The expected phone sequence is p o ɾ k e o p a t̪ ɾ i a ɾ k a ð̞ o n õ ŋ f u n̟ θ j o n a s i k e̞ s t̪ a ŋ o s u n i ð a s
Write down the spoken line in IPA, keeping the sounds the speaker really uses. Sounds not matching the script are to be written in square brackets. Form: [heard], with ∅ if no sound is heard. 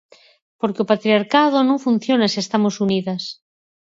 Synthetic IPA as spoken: p o ɾ k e o p a t̪ ɾ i a ɾ k a ð̞ o n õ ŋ f u n̟ θ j o n a s i [∅] e̞ s t̪ a [m] o s u n i ð a s